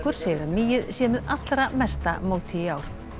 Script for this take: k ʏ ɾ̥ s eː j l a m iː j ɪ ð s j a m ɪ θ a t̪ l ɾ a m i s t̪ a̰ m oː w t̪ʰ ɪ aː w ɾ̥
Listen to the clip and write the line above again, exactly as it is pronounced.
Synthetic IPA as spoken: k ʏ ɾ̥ s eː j ɾ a m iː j ɪ ð s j ɛ m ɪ ð a t̪ l ɾ a m ɛ s t̪ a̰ m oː w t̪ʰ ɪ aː w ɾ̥